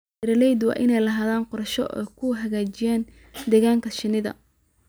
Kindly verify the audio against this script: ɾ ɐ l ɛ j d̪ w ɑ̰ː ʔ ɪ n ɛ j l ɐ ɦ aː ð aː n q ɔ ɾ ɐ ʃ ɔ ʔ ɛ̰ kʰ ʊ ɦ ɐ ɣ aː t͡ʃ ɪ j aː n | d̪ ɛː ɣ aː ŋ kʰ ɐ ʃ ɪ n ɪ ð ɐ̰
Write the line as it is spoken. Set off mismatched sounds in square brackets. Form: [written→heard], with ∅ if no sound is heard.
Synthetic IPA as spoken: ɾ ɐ l ɛ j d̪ w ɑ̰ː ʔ ɪ n ɛ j l ɐ ɦ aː ð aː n q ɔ ɾ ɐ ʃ ɔ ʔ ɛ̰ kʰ ʊ ɦ ɐ ɣ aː t͡ʃ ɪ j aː n | d̪ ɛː ɣ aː ŋ kʰ ɐ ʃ ɪ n ɪ ð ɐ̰